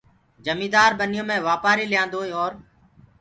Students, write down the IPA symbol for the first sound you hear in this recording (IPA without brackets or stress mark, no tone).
d͡ʒ